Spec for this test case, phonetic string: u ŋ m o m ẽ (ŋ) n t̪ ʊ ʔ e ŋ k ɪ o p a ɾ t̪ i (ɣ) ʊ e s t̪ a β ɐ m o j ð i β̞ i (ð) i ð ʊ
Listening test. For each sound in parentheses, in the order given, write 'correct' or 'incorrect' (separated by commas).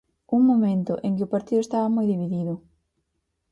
incorrect, incorrect, correct